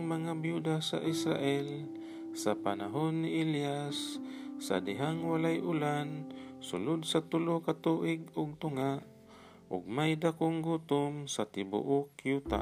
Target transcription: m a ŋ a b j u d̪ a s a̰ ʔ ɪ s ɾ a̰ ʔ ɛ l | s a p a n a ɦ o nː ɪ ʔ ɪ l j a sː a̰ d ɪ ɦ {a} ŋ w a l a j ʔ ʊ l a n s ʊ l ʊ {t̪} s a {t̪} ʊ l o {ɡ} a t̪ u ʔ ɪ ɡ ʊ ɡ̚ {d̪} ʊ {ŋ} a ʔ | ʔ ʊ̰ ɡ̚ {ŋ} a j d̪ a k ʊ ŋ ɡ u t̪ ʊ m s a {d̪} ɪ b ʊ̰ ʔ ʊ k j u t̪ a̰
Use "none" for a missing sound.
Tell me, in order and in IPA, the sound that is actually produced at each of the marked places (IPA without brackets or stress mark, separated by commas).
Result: a, d̪, t̪, k, t̪, ŋ, m, t̪